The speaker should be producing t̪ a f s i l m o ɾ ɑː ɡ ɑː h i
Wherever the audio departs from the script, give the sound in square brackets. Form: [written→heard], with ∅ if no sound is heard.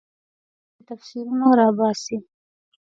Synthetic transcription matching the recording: t̪ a f s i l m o ɾ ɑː [ɡ→b] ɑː [h→s] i